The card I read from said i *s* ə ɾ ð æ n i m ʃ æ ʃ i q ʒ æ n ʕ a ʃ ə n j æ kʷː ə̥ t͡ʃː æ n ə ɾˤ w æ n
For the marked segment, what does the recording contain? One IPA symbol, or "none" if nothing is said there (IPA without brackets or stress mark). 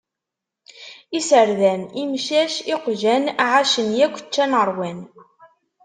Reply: s